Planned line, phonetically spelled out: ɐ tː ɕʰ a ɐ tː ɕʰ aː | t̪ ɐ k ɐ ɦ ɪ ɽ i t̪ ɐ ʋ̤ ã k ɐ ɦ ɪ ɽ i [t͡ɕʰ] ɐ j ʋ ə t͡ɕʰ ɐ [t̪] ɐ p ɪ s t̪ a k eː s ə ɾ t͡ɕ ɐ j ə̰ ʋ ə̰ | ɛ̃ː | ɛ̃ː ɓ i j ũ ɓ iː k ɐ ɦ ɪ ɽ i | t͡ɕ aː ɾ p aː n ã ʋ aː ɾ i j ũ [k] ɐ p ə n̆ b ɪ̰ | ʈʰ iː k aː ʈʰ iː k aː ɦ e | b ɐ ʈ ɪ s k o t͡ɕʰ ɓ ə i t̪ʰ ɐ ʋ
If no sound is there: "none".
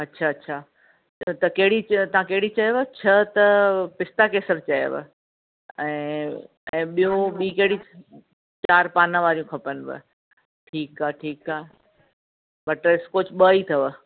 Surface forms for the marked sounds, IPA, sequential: t͡ɕ, t̪, kʰ

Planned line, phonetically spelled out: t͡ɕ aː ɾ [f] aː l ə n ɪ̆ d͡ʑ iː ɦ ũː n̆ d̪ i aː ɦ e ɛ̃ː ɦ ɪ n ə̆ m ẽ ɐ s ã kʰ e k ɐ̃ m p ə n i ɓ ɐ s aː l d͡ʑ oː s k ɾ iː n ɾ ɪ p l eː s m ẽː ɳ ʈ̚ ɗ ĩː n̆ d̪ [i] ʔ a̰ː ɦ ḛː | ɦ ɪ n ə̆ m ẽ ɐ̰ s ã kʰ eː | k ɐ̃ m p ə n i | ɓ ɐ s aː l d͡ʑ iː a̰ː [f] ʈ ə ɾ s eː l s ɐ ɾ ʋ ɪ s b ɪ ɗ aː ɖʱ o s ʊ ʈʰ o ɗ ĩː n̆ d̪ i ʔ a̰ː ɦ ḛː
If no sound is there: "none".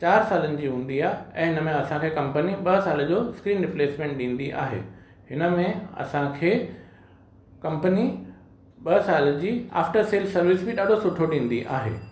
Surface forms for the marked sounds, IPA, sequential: s, i, f

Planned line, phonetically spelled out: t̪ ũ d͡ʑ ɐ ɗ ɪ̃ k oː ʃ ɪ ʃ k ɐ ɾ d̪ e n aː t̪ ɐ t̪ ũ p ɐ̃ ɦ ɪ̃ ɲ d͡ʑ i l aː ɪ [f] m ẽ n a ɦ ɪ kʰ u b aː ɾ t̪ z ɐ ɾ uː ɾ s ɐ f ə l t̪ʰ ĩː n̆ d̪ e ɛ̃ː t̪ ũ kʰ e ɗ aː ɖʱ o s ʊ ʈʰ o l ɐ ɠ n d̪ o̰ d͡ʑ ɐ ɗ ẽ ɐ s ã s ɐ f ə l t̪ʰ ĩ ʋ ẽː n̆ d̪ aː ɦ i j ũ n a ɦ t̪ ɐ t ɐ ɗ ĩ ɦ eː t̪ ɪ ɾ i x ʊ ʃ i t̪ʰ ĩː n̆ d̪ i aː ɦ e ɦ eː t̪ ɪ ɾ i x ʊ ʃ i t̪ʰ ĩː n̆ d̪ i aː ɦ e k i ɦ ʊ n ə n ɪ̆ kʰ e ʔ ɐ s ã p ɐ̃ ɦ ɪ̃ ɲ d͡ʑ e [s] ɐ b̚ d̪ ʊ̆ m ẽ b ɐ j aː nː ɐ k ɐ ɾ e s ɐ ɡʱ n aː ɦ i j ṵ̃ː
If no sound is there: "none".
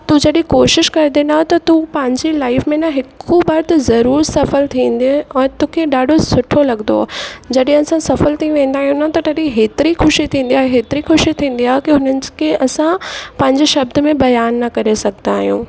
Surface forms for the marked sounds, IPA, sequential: f, ʃ

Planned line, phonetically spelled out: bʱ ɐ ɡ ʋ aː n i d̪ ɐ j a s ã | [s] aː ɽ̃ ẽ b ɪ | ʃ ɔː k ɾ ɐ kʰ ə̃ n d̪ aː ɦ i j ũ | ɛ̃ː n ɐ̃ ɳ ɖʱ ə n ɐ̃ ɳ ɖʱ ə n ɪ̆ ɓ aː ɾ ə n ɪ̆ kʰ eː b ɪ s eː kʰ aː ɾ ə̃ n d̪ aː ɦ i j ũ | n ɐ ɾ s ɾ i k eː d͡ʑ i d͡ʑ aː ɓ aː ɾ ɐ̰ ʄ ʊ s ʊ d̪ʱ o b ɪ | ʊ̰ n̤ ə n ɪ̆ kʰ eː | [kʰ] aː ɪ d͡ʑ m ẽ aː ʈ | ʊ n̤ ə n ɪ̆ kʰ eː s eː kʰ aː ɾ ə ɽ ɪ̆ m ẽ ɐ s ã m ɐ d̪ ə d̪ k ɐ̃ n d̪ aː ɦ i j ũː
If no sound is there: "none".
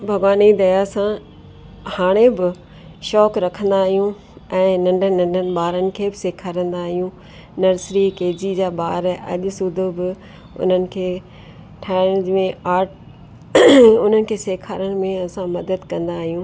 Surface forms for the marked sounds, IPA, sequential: h, ʈʰ

